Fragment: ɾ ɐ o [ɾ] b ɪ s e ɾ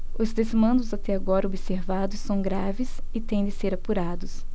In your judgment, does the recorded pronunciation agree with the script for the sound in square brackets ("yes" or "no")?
no